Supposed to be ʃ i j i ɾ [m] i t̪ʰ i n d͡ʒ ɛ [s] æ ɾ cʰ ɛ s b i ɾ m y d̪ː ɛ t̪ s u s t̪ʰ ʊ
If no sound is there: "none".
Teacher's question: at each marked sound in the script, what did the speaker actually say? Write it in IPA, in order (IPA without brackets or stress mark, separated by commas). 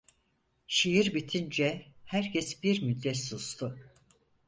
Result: b, h